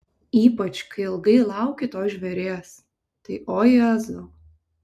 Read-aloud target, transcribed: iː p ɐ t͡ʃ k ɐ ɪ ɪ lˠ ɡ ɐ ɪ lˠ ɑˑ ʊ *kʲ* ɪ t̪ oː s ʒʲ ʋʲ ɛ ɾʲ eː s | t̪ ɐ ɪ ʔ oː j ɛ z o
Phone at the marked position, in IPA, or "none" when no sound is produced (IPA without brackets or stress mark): kʲ